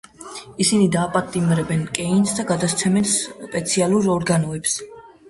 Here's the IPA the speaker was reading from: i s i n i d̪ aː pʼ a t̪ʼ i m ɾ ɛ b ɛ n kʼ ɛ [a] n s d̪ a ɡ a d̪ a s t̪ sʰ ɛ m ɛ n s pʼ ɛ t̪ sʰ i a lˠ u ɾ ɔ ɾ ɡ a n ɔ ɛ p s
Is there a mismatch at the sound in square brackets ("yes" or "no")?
yes